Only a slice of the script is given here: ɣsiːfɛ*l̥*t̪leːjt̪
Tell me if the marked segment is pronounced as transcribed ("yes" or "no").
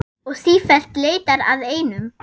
yes